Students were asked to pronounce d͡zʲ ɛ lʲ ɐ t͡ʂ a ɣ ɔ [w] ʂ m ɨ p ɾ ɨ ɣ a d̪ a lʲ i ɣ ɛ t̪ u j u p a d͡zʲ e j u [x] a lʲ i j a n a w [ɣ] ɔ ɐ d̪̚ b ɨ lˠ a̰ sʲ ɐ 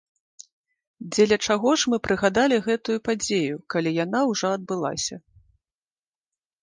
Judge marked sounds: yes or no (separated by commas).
no, no, no